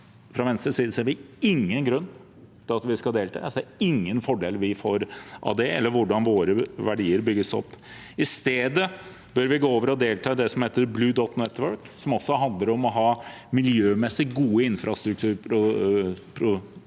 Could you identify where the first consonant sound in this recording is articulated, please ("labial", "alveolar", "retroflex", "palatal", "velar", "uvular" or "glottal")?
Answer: labial